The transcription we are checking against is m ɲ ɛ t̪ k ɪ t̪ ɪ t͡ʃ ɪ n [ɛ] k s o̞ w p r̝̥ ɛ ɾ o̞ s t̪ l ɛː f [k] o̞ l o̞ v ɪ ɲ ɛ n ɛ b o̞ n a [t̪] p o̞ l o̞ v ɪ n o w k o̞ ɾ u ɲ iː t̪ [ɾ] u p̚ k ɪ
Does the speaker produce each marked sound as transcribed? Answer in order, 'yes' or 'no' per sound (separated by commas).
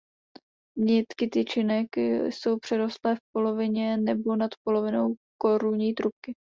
yes, no, yes, yes